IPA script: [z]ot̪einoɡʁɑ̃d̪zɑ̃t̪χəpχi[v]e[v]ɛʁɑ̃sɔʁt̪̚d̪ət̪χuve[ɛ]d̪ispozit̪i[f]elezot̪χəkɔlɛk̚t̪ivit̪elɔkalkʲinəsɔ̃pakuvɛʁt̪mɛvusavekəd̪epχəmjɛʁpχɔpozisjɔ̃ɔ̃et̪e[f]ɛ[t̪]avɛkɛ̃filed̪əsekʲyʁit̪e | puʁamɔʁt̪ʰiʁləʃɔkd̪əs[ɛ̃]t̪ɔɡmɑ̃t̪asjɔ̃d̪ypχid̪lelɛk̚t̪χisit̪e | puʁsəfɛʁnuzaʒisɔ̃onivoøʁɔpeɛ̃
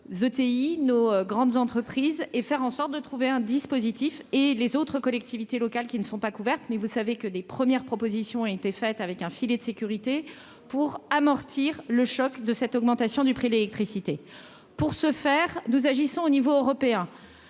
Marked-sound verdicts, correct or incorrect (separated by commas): correct, incorrect, incorrect, incorrect, correct, correct, correct, incorrect